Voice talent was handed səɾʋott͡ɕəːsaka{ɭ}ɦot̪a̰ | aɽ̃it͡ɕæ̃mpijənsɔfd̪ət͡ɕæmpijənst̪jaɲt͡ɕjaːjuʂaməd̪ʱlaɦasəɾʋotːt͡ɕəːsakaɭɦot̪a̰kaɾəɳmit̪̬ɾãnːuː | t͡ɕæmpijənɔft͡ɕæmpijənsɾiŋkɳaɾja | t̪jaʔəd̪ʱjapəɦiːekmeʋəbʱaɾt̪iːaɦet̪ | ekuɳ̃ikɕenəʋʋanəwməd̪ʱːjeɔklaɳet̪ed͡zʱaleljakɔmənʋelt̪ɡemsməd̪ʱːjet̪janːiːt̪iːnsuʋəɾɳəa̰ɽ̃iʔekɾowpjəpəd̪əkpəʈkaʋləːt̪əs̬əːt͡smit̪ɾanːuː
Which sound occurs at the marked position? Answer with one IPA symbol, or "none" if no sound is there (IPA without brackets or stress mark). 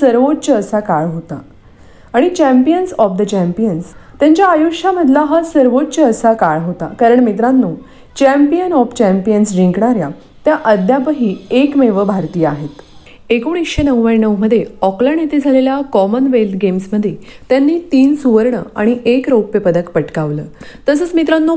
ɭ